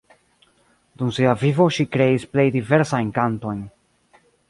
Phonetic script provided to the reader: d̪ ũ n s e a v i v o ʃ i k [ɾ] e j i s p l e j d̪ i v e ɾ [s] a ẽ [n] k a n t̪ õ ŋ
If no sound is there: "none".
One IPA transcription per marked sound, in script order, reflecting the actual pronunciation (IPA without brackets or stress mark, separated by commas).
ɾ, s, ŋ